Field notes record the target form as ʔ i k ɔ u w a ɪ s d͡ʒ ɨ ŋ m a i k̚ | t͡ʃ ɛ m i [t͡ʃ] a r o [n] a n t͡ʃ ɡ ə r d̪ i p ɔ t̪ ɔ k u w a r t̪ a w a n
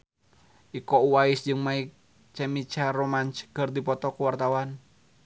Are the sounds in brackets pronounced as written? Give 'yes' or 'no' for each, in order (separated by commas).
yes, no